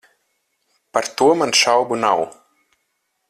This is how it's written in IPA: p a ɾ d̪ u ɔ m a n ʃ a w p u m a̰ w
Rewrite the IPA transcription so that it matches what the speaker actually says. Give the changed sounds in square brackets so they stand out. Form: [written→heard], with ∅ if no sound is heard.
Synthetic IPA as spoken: p a ɾ [d̪→t̪] u ɔ m a n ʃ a w [p→b] u [m→n] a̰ w

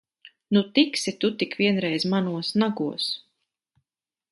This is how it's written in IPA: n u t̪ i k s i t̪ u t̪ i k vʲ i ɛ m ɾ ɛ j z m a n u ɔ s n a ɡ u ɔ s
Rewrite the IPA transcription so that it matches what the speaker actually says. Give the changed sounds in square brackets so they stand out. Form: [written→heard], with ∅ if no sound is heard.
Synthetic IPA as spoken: n u t̪ i k s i t̪ u t̪ i k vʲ i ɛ [m→n] ɾ ɛ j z m a n u ɔ s n a ɡ u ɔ s

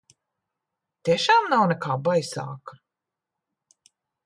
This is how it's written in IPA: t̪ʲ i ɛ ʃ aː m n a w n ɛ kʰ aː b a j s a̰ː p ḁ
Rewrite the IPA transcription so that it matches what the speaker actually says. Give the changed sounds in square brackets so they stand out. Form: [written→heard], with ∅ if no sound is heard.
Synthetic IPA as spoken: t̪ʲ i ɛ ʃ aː m n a w n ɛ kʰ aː b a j s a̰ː [p→k] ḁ

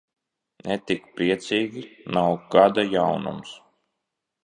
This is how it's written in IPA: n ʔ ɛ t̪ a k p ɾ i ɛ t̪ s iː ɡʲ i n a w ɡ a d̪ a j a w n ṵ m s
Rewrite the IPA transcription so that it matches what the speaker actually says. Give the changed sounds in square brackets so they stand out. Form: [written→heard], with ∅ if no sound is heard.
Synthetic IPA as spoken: n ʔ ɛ t̪ [a→i] k p ɾ i ɛ t̪ s iː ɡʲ i n a w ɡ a d̪ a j a w n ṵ m s

